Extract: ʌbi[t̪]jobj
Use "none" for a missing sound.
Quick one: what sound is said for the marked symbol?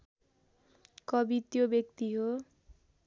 t̪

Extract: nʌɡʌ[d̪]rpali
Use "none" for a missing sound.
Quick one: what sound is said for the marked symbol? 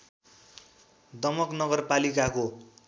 none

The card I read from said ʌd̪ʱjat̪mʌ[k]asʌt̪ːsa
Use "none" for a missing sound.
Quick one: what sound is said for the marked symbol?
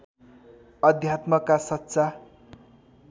k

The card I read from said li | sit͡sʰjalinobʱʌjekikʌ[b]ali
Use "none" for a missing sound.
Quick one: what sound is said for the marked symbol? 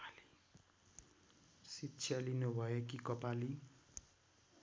p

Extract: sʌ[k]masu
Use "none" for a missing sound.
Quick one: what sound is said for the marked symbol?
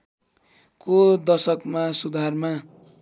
k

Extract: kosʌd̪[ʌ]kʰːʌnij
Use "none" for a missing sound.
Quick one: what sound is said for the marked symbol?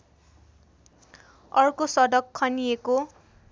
ʌ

